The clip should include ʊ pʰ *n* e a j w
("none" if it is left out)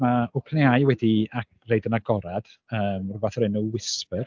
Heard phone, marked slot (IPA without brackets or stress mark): n